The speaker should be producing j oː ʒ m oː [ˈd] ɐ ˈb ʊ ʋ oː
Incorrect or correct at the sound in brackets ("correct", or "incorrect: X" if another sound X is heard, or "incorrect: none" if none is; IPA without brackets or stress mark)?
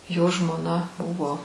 incorrect: n